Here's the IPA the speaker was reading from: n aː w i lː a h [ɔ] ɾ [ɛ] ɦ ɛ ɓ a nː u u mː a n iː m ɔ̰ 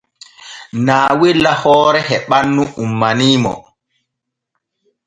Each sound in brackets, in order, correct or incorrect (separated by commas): incorrect, correct